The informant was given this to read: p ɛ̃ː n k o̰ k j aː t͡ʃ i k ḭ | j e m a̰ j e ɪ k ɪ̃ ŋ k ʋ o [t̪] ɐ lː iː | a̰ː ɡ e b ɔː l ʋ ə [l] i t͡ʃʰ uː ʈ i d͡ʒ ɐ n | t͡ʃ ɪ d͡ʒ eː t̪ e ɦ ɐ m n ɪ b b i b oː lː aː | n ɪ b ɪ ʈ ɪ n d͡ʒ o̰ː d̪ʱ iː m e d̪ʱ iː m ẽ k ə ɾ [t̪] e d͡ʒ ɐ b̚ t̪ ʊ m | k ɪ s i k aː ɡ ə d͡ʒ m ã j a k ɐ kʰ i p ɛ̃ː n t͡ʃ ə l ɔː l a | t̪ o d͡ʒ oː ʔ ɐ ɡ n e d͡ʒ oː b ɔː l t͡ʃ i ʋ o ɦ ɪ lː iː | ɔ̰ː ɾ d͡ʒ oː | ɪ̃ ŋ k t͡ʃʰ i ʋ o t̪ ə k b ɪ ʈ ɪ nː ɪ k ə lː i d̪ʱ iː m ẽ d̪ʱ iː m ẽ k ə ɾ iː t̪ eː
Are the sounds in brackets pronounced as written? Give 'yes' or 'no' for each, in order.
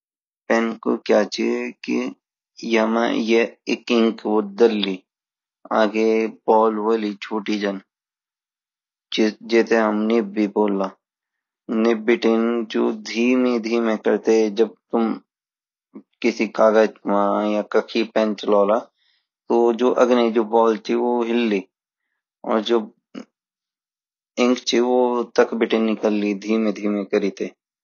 no, yes, yes

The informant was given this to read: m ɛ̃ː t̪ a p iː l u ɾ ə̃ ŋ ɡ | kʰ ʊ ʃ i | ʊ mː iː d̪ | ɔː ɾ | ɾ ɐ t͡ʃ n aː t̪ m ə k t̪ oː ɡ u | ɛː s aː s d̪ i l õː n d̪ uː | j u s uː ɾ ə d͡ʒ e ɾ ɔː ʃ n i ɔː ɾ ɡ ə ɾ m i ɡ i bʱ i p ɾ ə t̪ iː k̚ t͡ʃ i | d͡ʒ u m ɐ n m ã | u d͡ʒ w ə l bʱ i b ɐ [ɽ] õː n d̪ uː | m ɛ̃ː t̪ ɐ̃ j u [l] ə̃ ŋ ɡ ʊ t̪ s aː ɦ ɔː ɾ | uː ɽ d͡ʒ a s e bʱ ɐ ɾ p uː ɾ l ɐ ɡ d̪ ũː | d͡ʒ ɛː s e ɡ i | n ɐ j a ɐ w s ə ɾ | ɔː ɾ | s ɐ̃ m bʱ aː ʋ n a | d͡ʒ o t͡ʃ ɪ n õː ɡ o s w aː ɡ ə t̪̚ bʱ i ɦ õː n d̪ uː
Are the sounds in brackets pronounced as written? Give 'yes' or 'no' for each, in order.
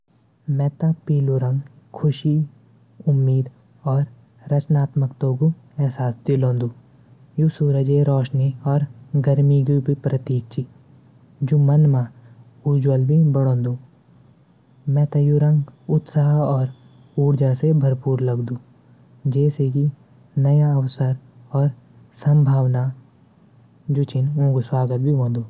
yes, no

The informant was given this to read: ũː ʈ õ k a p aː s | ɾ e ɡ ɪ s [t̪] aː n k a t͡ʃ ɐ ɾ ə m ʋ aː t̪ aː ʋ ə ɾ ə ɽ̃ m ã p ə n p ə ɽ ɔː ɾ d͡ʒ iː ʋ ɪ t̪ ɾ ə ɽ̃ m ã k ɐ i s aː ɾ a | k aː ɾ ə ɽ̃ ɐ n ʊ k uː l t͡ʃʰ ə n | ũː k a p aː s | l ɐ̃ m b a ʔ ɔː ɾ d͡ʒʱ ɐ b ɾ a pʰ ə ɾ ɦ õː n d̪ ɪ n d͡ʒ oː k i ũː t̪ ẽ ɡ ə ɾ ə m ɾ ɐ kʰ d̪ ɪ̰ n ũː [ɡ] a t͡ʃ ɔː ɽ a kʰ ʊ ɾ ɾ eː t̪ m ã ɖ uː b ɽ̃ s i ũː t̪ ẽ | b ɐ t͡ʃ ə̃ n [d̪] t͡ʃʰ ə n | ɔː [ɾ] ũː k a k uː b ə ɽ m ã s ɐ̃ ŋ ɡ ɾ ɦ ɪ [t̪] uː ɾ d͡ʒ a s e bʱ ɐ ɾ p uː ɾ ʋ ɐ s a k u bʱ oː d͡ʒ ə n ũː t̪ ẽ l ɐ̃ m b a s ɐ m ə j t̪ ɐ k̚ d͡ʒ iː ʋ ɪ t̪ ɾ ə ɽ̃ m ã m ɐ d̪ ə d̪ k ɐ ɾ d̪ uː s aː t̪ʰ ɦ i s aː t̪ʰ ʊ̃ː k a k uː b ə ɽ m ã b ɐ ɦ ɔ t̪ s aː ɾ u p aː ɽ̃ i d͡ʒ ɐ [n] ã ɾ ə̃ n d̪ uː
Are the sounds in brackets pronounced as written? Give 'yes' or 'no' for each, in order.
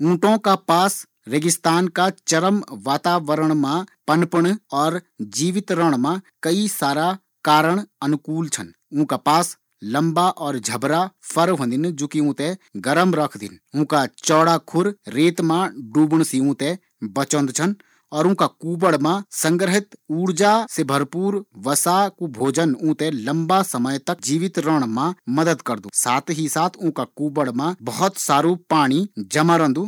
yes, no, yes, yes, yes, no

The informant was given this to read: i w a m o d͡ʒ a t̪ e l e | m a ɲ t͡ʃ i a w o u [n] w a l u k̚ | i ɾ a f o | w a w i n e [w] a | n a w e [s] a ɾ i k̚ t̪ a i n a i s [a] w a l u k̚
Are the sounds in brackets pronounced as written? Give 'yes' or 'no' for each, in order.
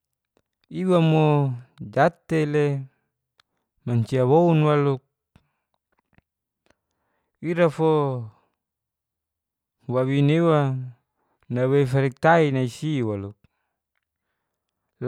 yes, yes, no, no

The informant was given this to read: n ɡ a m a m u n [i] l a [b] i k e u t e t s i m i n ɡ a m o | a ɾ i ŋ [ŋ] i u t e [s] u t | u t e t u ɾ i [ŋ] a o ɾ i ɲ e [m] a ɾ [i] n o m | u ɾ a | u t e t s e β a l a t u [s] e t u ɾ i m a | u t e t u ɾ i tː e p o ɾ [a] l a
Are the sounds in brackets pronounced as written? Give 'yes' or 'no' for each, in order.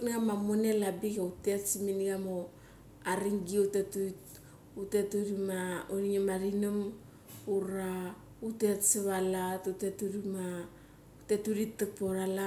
no, yes, no, no, no, yes, yes, no, yes

